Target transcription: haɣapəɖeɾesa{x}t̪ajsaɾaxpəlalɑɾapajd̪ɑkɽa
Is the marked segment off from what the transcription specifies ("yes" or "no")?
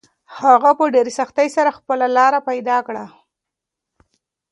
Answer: no